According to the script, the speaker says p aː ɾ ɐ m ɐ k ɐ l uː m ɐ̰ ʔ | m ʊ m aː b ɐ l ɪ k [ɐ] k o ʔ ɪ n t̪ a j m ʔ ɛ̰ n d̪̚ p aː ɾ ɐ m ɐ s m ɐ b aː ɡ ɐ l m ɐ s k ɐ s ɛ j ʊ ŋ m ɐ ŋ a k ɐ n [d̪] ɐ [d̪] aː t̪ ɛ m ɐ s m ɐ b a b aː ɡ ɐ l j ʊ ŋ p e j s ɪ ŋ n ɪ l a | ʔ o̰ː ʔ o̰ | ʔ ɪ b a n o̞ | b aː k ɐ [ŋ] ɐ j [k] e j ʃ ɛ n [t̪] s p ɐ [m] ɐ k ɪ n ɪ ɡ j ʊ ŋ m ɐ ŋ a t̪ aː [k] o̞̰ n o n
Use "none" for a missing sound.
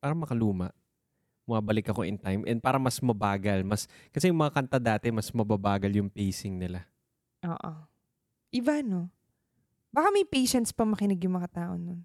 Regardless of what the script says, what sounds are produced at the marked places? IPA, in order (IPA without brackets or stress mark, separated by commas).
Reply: ɐ, t̪, d̪, m, p, t̪, m, ʔ